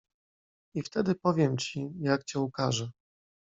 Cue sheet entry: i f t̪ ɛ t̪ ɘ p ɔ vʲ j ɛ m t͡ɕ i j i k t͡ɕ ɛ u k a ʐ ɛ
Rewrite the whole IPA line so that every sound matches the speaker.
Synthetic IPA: i f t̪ ɛ d̪ ɘ p ɔ vʲ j ɛ m t͡ɕ i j a k t͡ɕ ɛ u k a ʐ ɛ